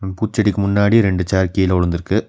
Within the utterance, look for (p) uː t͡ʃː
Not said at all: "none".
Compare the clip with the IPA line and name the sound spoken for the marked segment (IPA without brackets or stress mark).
p